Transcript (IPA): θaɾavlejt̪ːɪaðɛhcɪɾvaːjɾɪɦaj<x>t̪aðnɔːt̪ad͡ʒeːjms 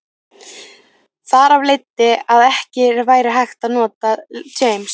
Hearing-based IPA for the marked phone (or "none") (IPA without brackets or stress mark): x